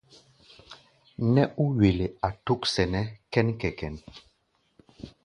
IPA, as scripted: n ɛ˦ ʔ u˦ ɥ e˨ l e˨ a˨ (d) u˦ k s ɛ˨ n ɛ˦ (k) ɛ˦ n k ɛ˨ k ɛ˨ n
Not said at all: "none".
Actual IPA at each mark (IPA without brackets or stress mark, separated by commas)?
t, k